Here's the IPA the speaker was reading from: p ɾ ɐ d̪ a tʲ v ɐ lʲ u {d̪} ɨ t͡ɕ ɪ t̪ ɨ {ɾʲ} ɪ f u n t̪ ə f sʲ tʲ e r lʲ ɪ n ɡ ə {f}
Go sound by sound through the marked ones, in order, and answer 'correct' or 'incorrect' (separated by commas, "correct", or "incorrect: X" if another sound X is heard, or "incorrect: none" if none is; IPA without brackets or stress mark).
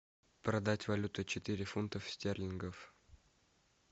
incorrect: t̪, correct, correct